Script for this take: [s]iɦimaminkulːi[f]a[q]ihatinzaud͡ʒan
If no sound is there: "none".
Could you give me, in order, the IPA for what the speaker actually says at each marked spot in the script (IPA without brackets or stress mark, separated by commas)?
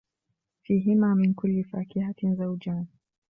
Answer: f, f, k